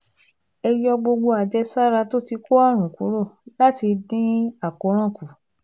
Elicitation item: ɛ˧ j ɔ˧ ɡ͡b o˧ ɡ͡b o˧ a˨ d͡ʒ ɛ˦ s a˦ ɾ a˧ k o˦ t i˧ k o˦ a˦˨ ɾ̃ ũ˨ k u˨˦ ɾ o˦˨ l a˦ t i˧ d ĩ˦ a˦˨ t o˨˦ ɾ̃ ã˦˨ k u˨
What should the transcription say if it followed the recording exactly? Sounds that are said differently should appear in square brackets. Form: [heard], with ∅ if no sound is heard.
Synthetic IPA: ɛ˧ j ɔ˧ ɡ͡b o˧ ɡ͡b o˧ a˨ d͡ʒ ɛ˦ s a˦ ɾ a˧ [t] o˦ t i˧ k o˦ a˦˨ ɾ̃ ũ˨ k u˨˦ ɾ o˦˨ l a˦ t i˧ d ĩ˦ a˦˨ [k] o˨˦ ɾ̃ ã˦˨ k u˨

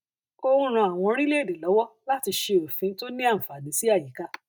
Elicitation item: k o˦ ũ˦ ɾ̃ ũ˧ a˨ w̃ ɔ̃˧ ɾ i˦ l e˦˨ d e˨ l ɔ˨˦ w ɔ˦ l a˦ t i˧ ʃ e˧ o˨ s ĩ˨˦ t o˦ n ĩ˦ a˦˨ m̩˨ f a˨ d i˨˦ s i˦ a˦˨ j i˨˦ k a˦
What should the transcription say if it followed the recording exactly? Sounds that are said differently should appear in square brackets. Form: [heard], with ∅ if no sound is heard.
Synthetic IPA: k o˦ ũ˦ ɾ̃ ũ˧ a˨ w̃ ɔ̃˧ ɾ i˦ l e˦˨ d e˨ l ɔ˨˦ w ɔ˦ l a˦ t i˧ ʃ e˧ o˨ [f] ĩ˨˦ t o˦ n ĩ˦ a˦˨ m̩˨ f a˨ d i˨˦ s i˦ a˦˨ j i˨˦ k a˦

